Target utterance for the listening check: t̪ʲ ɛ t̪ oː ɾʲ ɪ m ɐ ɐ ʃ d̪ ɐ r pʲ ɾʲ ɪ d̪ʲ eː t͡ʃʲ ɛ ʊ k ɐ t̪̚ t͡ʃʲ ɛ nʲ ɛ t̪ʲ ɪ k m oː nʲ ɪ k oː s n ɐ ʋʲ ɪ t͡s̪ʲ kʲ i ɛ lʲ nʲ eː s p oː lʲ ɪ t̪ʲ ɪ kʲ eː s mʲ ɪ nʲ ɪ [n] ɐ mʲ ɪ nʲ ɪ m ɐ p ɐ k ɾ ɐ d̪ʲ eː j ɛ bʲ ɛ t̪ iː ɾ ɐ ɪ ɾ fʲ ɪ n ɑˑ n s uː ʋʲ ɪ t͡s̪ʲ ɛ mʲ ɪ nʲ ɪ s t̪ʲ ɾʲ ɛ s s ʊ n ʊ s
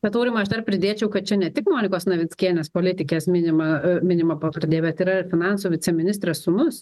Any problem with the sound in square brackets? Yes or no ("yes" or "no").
yes